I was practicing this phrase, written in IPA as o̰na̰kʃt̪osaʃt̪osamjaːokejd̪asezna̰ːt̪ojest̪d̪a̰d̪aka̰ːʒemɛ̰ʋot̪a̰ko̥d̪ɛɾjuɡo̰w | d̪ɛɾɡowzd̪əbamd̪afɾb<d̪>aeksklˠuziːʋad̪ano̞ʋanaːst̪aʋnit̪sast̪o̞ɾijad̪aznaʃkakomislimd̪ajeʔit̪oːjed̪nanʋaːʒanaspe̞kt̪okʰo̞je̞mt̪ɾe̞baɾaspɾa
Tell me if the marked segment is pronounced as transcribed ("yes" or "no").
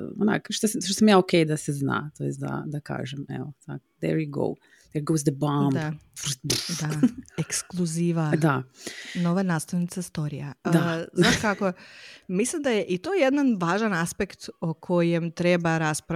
yes